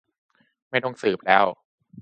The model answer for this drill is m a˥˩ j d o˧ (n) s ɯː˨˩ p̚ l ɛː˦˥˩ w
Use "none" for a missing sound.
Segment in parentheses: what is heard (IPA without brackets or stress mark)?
ŋ